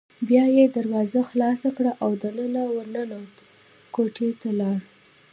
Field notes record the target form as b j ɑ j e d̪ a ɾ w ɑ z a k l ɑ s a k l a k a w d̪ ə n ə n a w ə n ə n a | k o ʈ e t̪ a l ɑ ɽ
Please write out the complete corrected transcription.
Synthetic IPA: b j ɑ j e d̪ a ɾ w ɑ z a x l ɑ s a k ɽ a ʔ a w d̪ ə n ə n a w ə n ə n a | k o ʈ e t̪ a l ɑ ɽ

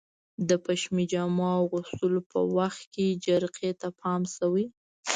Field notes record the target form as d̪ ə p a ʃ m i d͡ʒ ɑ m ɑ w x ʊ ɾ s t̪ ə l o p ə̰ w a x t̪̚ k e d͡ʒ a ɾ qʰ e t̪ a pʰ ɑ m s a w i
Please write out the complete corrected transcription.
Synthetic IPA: d̪ ə p a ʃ m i d͡ʒ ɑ m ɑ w ɣ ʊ s t̪ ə l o p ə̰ w a x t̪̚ k e d͡ʒ a ɾ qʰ e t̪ a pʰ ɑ m s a w i

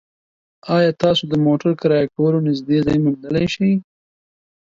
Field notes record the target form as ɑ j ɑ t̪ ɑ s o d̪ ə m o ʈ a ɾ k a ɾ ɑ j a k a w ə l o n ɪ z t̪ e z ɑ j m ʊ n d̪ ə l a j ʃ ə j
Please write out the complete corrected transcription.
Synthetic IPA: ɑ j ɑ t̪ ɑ s o d̪ ə m o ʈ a ɾ k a ɾ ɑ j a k a w ə l o n ɪ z d̪ e z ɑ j m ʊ n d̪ ə l a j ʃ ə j

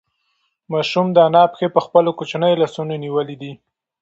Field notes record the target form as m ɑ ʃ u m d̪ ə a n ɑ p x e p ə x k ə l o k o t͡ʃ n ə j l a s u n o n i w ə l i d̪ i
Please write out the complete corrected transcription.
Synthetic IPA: m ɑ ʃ u m d̪ ə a n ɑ p x e p ə x p ə l o k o t͡ʃ n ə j l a s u n o n i w ə l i d̪ i

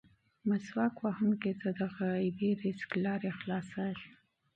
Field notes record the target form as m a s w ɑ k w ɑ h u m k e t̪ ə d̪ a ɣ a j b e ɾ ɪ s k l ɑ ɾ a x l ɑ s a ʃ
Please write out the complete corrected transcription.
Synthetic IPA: m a s w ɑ k w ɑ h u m k e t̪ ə d̪ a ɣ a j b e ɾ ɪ s k l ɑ ɾ e x l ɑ s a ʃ

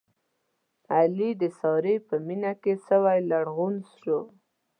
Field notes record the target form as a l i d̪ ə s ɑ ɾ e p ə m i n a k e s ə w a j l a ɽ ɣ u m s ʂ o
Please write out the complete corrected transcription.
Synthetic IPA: a l i d̪ ə s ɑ ɾ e p ə m i n a k e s ə w a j l a ɽ ɣ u n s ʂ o

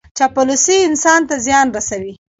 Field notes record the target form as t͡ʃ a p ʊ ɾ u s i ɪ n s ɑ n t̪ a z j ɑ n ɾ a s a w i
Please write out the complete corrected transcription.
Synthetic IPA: t͡ʃ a p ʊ l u s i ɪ n s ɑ n t̪ a z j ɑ n ɾ a s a w i

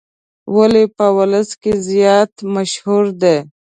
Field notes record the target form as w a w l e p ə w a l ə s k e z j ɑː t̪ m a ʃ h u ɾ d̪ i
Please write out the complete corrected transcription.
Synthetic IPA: w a l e p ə w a l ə s k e z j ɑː t̪ m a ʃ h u ɾ d̪ e

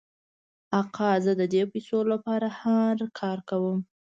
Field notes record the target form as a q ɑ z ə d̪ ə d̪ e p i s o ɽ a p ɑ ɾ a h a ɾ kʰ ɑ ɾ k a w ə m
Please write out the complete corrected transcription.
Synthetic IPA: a q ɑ z ə d̪ ə d̪ e p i s o l a p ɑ ɾ a h a ɾ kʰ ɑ ɾ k a w ə m

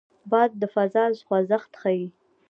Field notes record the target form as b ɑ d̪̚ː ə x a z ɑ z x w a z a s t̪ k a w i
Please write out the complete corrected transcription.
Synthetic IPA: b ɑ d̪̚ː ə f a z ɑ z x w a z a x t̪ x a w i

